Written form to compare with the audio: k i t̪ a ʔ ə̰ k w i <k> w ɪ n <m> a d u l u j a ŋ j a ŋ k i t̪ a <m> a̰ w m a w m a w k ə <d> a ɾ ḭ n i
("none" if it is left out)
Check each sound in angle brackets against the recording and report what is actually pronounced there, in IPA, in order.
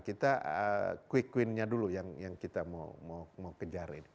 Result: k, ɲ, m, d͡ʒ

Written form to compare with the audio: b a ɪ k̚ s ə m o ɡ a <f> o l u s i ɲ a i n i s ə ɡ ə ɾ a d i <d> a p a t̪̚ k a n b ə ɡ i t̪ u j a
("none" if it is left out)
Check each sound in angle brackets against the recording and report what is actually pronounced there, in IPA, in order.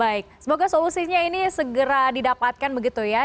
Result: s, d

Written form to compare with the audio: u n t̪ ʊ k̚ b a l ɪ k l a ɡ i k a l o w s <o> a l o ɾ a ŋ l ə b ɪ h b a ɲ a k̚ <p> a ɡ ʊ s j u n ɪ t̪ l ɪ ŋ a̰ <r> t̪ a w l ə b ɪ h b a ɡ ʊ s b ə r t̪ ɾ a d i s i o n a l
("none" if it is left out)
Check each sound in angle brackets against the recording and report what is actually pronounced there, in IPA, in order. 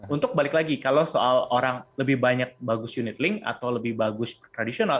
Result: o, b, none

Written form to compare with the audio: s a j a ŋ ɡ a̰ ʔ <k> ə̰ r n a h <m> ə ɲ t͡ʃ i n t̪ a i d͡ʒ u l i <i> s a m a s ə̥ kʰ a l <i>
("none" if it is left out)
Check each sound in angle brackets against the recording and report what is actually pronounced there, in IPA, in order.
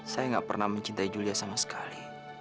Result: p, m, a, i

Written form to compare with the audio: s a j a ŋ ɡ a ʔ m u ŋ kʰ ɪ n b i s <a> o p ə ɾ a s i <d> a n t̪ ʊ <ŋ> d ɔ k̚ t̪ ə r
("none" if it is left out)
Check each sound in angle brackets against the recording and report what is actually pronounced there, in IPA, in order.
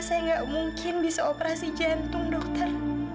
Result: a, d͡ʒ, ŋ

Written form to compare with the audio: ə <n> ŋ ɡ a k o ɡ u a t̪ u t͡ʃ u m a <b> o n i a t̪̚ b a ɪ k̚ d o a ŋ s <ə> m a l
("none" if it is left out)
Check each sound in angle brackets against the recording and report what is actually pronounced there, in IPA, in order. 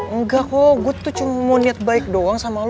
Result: none, m, a

